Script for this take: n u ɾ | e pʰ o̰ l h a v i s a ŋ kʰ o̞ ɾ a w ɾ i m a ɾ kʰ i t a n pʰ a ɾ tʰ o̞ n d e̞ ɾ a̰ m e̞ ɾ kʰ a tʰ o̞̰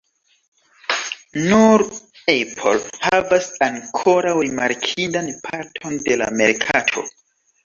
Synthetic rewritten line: n u ɾ | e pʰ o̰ l h a v a s a ŋ kʰ o̞ ɾ a w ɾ i m a ɾ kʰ i d a n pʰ a ɾ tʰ o̞ n d e̞ l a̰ m e̞ ɾ kʰ a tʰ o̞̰